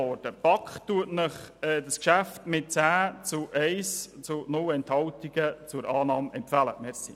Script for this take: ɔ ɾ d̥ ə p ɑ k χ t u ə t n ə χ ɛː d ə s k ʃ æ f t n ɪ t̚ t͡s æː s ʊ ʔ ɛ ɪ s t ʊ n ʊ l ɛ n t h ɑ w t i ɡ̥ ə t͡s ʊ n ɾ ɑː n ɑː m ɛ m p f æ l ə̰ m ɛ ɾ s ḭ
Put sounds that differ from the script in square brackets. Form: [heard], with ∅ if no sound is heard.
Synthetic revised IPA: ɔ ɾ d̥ ə p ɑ k χ t u ə t n ə χ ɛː d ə s k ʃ æ f t [m] ɪ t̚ t͡s æː [t͡s] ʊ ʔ ɛ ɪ s [t͡s] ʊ n ʊ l ɛ n t h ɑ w t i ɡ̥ ə t͡s ʊ [∅] ɾ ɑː n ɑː m ɛ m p f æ l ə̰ m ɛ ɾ s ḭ